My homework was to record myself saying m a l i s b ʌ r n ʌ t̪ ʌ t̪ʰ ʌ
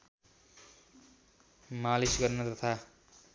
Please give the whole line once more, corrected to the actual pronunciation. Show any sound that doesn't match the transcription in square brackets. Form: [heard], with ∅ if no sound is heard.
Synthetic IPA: m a l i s [ɡ] ʌ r n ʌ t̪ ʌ t̪ʰ [a]

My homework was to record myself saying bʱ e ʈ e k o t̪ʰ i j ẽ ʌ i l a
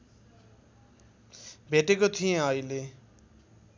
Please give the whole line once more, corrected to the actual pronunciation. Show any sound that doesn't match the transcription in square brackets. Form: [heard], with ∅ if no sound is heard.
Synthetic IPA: bʱ e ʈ e k o t̪ʰ i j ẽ ʌ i l [e]

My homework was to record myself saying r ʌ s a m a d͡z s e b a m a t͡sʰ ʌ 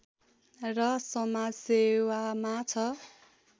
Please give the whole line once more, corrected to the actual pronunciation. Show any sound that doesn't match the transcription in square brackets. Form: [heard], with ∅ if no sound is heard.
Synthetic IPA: r ʌ s [ʌ] m a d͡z s e [w] a m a t͡sʰ ʌ

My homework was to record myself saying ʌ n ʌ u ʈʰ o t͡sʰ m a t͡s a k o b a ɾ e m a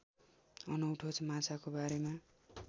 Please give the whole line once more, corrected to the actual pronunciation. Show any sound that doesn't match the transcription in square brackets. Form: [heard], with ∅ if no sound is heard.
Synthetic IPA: ʌ n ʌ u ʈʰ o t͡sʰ m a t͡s a k o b a ɾ e m a

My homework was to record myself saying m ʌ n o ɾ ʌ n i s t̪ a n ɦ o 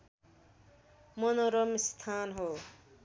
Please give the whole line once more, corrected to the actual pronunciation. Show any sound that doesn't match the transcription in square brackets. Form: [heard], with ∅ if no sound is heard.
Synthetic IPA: m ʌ n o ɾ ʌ [m] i s [t̪ʰ] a n ɦ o

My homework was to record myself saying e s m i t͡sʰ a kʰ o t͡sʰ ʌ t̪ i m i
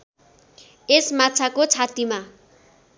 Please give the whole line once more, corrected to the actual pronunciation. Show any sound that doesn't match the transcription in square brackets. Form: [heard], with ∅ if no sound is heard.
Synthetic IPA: e s m [a] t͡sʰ a [k] o t͡sʰ [a] t̪ i m [a]

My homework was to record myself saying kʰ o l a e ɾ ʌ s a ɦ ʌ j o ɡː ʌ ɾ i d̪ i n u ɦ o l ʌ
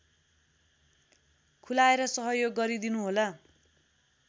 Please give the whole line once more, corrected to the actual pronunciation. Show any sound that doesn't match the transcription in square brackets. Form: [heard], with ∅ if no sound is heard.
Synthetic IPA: kʰ [u] l a e ɾ ʌ s [ʌ] ɦ ʌ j o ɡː ʌ ɾ i d̪ i n u ɦ o l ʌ

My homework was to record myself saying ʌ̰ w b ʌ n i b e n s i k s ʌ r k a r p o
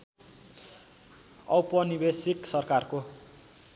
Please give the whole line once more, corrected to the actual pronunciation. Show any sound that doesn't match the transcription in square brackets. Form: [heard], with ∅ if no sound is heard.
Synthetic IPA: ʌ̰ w [p] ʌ n i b e [∅] s i k s ʌ r k a r [k] o

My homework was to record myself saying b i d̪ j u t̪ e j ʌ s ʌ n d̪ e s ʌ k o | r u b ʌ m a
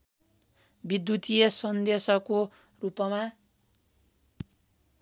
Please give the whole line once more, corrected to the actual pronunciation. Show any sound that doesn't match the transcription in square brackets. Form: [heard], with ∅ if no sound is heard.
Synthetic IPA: b i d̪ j u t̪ [i] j ʌ s ʌ n d̪ e s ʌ k o | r u [p] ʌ m a

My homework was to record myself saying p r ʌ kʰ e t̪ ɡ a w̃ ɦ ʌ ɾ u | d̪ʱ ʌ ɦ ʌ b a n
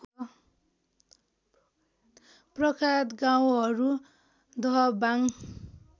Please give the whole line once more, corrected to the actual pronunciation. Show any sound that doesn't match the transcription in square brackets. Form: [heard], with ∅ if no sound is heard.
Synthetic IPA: p r ʌ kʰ [a] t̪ ɡ a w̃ ɦ ʌ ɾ u | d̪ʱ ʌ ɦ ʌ b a [ŋ]

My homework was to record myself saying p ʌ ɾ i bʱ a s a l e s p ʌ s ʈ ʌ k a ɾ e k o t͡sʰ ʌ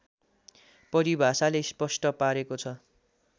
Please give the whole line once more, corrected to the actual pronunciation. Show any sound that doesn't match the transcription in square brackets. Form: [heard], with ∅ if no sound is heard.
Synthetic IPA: p ʌ ɾ i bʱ a s a l e s p ʌ s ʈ ʌ [p] a ɾ e k o t͡sʰ ʌ

